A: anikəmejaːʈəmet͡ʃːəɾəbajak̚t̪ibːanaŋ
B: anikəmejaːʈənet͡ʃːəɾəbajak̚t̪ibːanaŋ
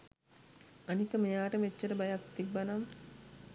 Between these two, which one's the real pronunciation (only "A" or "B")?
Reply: A